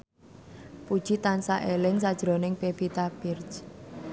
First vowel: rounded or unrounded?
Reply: rounded